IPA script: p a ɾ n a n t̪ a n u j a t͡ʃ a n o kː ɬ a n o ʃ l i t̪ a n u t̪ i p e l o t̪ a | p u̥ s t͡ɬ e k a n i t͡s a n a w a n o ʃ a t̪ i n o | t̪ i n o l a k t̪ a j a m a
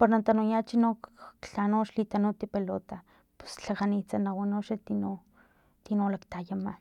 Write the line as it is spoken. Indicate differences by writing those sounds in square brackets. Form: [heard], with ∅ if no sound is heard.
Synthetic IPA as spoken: p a ɾ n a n t̪ a n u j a t͡ʃ [i] n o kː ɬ a n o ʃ l i t̪ a n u t̪ i p e l o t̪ a | p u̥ s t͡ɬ [a] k a n i t͡s a n a w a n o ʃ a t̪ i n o | t̪ i n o l a k t̪ a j a m a